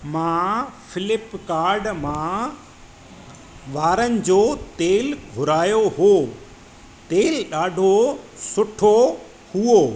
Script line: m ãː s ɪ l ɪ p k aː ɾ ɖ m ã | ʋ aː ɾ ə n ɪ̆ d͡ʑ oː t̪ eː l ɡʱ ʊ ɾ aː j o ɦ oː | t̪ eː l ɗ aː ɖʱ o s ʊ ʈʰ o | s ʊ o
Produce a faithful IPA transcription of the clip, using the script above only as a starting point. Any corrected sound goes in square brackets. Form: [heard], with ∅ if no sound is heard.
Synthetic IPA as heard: m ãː [f] ɪ l ɪ p k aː ɾ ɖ m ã | ʋ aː ɾ ə n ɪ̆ d͡ʑ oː t̪ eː l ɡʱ ʊ ɾ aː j o ɦ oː | t̪ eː l ɗ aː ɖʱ o s ʊ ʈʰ o | [h] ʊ o

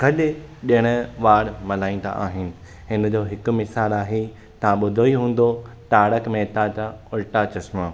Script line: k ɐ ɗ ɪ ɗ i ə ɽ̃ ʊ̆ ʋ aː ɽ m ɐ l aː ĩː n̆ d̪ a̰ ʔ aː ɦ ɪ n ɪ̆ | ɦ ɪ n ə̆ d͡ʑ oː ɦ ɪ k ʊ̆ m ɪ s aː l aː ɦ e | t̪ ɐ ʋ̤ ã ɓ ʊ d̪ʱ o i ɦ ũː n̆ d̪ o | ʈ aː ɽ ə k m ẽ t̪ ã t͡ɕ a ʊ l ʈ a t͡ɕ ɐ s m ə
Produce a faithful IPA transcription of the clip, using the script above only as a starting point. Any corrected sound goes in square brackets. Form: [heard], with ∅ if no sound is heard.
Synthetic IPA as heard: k ɐ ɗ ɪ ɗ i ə ɽ̃ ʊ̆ ʋ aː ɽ m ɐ l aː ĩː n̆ d̪ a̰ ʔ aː ɦ ɪ n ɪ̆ | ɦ ɪ n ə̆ d͡ʑ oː ɦ ɪ k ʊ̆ m ɪ s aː l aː ɦ e | t̪ ɐ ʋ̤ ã ɓ ʊ d̪ʱ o i ɦ ũː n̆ d̪ o | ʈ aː ɽ ə k m ẽ t̪ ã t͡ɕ a ʊ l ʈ a t͡ɕ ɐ s m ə

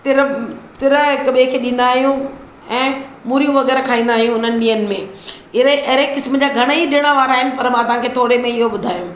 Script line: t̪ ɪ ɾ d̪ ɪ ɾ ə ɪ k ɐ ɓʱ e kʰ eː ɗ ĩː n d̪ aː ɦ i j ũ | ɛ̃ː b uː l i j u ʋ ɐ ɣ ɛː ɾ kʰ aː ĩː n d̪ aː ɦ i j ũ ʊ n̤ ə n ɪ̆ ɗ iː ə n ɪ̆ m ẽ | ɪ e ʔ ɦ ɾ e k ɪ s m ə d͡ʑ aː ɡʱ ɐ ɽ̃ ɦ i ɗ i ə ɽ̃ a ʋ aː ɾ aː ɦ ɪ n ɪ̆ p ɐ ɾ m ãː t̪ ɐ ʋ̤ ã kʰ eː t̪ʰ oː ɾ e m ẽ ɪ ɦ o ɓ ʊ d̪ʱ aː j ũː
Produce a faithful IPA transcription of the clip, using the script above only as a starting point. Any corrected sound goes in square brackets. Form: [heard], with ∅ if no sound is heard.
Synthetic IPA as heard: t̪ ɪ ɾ [t̪] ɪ ɾ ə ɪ k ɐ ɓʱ e kʰ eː ɗ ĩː n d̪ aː ɦ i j ũ | ɛ̃ː [m] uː [ɾ] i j [ũ] ʋ ɐ ɣ ɛː ɾ kʰ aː ĩː n d̪ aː ɦ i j ũ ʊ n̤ ə n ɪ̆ ɗ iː ə n ɪ̆ m ẽ | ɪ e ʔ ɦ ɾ e k ɪ s m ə d͡ʑ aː ɡʱ ɐ ɽ̃ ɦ i ɗ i ə ɽ̃ a ʋ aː ɾ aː ɦ ɪ n ɪ̆ p ɐ ɾ m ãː t̪ ɐ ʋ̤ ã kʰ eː t̪ʰ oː ɾ e m ẽ ɪ ɦ o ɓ ʊ d̪ʱ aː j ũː

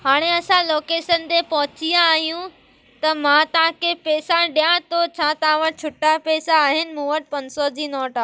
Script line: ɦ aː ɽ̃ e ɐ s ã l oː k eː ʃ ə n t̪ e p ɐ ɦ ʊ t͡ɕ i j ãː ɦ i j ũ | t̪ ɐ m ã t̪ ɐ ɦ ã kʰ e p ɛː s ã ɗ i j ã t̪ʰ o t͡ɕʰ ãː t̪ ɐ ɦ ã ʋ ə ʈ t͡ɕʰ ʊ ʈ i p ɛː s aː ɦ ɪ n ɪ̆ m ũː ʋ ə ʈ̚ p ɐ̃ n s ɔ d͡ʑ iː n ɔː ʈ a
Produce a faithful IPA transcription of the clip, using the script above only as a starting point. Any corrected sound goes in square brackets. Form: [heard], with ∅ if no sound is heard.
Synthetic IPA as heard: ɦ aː ɽ̃ e ɐ s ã l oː k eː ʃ ə n t̪ e p ɐ ɦ ʊ t͡ɕ i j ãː ɦ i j ũ | t̪ ɐ m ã t̪ ɐ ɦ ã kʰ e p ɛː s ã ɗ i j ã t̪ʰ o t͡ɕʰ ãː t̪ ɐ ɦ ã ʋ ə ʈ t͡ɕʰ ʊ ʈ [a] p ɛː s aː ɦ ɪ n ɪ̆ m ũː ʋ ə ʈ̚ p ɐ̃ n s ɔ d͡ʑ iː n ɔː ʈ a

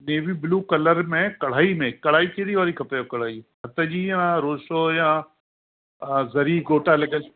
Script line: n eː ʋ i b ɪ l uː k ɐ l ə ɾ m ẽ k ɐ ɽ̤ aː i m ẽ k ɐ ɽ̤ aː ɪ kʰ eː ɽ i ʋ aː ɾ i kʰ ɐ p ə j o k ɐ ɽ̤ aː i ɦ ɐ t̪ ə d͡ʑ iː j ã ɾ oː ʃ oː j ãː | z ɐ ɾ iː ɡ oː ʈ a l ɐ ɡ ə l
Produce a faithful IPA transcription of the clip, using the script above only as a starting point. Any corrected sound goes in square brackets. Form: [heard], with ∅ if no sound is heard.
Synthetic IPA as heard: n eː ʋ i b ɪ l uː k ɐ l ə ɾ m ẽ k ɐ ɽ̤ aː i m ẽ k ɐ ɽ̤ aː [i] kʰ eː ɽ i ʋ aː ɾ i kʰ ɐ p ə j o k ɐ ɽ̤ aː i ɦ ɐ t̪ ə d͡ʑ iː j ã ɾ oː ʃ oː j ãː | z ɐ ɾ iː ɡ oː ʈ a l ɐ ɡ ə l

